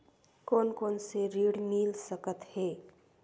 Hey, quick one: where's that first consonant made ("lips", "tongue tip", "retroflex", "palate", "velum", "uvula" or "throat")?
velum